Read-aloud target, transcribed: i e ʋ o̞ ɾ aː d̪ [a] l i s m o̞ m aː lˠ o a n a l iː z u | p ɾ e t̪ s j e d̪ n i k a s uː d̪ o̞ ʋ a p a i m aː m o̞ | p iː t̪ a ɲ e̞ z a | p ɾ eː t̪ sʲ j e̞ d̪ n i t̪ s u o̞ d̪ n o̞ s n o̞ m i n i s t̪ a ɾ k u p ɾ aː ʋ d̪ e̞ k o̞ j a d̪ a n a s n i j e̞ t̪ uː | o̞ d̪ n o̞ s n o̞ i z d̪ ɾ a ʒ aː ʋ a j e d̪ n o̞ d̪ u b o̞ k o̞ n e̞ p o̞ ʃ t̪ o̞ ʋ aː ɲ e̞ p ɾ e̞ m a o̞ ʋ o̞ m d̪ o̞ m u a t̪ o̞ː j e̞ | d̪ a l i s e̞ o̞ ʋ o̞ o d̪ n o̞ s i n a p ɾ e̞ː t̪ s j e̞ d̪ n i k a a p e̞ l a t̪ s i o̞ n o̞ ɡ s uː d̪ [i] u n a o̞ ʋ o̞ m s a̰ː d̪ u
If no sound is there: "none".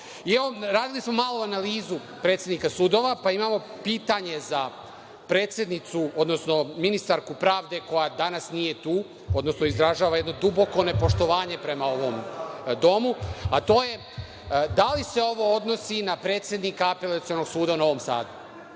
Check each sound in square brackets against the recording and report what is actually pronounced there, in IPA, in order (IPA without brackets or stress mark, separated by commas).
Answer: i, a